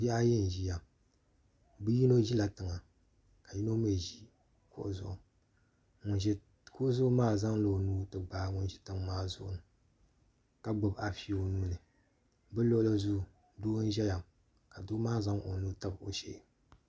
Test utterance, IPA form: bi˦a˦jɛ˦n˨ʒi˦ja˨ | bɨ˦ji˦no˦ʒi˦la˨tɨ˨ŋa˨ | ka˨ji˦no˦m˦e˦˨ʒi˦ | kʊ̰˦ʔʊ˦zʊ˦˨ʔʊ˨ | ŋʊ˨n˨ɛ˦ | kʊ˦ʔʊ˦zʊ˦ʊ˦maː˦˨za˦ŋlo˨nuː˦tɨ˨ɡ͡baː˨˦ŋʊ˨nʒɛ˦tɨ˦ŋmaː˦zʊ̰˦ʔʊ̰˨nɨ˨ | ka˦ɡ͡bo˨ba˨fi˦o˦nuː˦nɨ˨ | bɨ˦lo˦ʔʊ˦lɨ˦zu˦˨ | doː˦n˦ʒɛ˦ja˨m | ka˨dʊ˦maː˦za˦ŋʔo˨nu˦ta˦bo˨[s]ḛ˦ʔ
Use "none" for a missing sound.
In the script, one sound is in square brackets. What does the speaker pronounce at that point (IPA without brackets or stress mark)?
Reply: ʃ